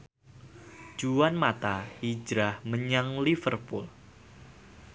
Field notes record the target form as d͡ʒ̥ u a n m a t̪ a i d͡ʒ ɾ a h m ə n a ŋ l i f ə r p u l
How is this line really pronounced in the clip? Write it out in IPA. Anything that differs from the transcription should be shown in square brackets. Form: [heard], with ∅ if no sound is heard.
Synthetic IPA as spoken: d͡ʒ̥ u a n m a t̪ a i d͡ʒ ɾ a h m ə [ɲ] a ŋ l i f ə r p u l